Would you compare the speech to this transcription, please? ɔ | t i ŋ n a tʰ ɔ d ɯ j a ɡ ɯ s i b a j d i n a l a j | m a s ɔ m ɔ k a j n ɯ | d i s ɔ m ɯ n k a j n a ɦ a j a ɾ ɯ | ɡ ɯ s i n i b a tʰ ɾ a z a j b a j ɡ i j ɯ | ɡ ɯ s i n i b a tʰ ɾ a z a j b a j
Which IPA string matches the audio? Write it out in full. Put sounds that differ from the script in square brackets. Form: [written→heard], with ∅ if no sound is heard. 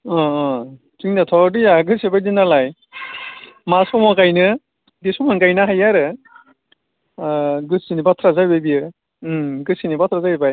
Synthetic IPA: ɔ | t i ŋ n a tʰ ɔ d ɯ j a ɡ ɯ s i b a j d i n a l a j | m a s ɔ m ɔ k a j n ɯ | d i s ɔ m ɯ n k a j n a ɦ a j a ɾ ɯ | ɡ ɯ s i n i b a tʰ ɾ a z a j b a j [ɡ→b] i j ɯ | ɡ ɯ s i n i b a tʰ ɾ a z a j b a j